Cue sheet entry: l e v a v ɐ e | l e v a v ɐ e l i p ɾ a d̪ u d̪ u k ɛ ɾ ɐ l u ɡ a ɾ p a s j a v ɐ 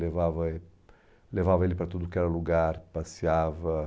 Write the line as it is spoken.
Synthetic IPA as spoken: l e v a v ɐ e | l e v a v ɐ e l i p ɾ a t̪ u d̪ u k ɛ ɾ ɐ l u ɡ a ɾ p a s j a v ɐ